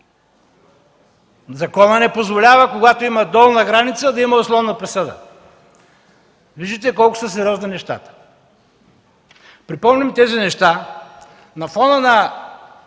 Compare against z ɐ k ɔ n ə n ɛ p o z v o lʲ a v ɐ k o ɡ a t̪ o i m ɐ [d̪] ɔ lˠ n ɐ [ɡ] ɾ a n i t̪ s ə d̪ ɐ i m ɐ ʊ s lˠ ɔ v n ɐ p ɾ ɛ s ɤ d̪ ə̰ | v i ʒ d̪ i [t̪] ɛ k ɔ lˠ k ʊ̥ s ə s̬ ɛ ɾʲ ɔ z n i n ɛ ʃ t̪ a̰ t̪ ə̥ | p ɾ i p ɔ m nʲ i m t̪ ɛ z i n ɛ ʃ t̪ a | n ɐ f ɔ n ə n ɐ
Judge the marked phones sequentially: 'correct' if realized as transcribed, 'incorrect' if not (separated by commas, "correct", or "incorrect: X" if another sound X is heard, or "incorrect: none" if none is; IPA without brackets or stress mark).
correct, correct, correct